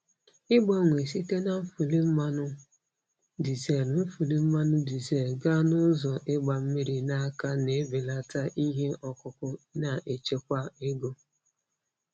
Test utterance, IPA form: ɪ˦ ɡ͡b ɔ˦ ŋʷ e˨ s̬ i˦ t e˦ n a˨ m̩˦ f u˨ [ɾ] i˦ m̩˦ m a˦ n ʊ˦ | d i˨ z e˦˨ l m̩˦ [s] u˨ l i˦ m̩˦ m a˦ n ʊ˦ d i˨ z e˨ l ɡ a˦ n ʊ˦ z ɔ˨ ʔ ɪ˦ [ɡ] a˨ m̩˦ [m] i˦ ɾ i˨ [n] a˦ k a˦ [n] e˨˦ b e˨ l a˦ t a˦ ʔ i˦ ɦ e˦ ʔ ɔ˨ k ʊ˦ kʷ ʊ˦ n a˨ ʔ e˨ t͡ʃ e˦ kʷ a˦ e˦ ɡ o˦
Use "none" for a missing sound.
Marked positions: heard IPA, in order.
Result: l, f, ɡ͡b, m, n, n

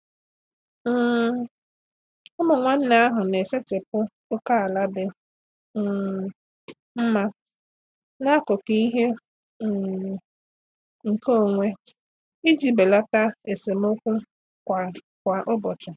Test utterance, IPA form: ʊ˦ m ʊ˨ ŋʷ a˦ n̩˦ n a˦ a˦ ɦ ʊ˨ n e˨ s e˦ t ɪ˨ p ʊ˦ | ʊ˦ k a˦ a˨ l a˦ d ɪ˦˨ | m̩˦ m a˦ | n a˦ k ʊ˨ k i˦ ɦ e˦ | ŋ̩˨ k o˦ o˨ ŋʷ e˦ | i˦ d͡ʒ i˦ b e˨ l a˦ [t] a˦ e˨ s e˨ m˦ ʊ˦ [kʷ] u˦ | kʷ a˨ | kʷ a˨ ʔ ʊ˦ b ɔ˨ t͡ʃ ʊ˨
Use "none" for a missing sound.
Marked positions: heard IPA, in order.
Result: t, kʷ

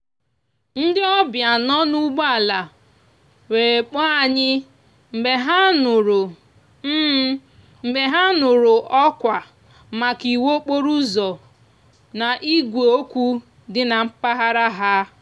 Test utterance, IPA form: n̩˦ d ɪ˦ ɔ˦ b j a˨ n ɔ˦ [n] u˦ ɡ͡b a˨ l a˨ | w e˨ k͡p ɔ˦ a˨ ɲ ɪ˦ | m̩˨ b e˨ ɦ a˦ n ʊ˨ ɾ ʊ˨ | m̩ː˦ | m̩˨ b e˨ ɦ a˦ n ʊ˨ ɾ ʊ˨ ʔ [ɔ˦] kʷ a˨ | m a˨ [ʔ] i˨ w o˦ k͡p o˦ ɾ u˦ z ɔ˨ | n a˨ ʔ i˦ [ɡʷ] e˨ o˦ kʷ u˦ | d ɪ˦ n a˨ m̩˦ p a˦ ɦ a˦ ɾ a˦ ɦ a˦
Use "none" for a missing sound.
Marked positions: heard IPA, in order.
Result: n, ɔ˦, k, ɡʷ

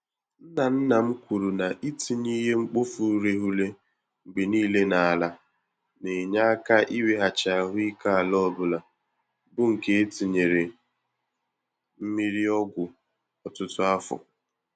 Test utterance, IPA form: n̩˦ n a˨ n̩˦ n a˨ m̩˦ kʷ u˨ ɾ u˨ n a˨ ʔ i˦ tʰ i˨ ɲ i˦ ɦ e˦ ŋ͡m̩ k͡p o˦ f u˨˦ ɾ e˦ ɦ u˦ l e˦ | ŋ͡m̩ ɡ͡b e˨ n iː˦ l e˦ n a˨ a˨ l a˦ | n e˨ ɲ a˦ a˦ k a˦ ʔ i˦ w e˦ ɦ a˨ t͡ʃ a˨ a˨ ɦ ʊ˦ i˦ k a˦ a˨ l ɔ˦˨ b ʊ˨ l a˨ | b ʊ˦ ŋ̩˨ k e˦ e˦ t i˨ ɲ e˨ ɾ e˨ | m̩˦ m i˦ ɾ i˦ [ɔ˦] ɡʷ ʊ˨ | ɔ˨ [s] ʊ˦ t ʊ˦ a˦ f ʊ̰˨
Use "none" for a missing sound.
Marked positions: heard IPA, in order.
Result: ɔ˦, t

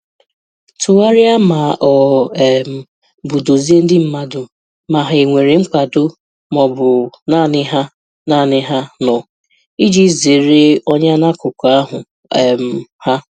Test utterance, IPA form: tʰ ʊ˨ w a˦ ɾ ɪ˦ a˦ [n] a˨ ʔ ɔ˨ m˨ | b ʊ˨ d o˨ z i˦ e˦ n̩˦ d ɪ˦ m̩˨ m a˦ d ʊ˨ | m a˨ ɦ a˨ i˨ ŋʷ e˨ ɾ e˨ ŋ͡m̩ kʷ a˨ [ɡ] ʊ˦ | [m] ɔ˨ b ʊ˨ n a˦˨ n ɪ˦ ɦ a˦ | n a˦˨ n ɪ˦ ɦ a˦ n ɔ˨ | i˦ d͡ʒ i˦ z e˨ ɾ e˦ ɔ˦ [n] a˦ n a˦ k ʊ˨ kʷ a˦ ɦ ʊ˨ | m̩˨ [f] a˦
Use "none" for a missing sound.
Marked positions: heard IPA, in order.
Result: m, d, m, ɲ, h

